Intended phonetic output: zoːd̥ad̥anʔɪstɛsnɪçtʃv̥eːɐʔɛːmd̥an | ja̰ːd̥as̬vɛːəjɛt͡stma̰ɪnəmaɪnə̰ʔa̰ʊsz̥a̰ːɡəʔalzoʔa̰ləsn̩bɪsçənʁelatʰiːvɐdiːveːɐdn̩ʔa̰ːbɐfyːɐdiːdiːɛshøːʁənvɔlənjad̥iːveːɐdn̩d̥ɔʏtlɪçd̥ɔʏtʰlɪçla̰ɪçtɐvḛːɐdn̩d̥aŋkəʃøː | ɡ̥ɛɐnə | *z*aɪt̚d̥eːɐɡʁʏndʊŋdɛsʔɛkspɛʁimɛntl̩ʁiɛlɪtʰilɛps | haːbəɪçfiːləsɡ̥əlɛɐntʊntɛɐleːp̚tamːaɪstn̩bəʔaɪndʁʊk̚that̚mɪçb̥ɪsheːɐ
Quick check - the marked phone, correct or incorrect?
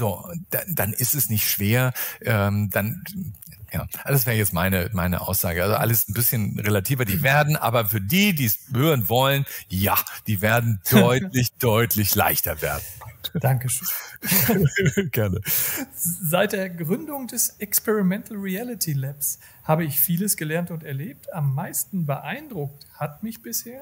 correct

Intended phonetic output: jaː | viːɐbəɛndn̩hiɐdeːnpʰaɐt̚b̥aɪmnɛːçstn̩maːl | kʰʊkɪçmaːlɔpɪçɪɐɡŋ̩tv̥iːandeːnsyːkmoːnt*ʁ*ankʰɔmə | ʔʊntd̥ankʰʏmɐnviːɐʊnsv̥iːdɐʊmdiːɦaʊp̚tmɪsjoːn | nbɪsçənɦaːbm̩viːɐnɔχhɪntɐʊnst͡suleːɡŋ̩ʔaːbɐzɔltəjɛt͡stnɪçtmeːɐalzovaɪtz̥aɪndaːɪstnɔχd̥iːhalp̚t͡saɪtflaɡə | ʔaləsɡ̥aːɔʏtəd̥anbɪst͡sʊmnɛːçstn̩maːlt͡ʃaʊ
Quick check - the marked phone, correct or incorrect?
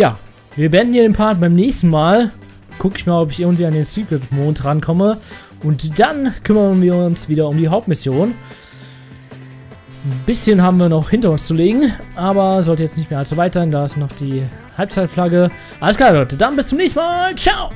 correct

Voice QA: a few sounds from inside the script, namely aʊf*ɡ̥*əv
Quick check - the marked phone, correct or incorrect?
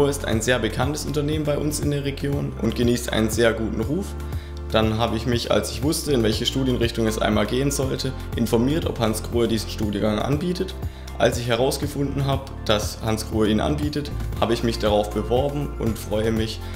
incorrect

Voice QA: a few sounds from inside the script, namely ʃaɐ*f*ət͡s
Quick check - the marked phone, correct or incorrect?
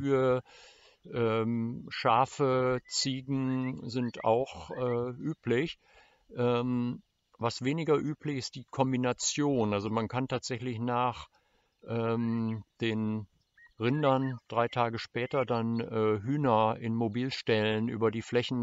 correct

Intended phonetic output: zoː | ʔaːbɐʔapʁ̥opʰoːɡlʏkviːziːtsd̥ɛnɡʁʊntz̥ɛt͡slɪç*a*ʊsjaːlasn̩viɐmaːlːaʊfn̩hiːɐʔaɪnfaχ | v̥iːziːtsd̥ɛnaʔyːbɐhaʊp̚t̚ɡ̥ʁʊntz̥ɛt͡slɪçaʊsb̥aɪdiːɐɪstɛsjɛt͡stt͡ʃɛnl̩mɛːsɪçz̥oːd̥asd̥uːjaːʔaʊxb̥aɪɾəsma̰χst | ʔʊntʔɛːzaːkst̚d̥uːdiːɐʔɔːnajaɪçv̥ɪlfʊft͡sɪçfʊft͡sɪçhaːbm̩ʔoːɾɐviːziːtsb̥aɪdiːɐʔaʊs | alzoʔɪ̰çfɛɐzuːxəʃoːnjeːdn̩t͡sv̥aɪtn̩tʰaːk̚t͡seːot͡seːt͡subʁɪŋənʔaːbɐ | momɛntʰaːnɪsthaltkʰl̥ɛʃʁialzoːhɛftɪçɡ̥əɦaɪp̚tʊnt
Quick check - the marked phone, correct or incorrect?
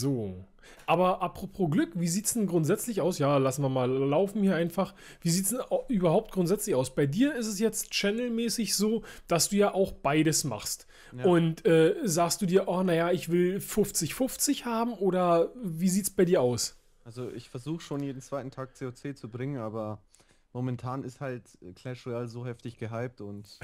correct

